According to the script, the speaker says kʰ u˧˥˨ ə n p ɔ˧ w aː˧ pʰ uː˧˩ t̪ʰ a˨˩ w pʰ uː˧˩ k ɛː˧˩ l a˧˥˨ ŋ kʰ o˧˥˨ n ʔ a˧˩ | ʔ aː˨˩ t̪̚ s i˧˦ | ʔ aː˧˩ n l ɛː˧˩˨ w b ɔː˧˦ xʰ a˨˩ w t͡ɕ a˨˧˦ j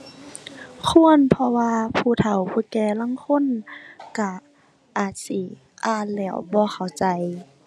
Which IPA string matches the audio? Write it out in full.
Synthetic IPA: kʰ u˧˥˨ ə n pʰ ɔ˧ w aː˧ pʰ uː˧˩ t̪ʰ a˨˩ w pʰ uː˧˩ k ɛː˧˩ l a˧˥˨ ŋ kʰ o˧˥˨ n k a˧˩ | ʔ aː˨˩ t̪̚ s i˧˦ | ʔ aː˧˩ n l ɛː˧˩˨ w b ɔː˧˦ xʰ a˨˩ w t͡ɕ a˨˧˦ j

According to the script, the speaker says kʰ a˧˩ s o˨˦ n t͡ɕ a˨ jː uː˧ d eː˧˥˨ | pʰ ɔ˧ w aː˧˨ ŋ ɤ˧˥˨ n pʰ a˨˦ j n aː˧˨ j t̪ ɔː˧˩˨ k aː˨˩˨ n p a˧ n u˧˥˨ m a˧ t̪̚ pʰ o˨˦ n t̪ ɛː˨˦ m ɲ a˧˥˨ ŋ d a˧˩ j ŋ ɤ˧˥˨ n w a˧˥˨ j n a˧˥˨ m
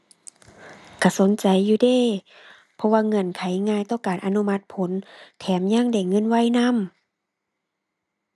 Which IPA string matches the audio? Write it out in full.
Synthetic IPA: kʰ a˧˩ s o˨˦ n t͡ɕ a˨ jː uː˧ d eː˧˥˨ | pʰ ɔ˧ w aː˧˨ ŋ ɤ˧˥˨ n kʰ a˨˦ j ŋ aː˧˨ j t̪ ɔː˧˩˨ k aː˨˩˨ n ʔ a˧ n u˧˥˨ m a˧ t̪̚ pʰ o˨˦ n t̪ʰ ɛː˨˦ m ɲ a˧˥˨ ŋ d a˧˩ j ŋ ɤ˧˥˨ n w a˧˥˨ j n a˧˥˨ m

